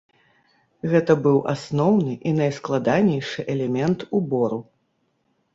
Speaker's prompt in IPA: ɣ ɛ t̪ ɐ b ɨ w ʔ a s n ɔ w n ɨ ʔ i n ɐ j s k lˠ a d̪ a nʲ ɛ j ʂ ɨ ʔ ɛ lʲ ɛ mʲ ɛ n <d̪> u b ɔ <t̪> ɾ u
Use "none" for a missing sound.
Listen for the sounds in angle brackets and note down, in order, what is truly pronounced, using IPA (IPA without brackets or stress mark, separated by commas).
t̪, none